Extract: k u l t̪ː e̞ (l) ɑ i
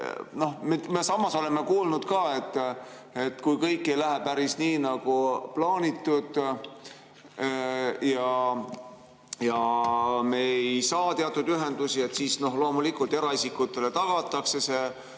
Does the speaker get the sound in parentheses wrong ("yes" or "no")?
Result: yes